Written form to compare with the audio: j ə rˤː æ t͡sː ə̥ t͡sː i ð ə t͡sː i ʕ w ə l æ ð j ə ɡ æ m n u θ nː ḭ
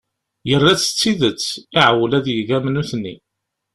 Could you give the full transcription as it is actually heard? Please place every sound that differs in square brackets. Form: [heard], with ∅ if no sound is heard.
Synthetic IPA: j ə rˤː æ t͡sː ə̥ t͡sː i ð ə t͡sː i ʕ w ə l æ ð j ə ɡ æ m n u θ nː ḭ